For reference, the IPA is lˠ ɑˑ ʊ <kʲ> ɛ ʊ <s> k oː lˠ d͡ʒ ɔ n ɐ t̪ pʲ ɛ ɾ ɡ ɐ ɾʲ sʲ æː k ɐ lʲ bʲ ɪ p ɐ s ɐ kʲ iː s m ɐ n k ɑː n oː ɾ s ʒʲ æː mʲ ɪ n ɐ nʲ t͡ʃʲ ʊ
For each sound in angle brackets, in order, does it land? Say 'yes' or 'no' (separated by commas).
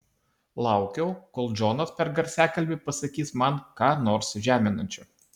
yes, no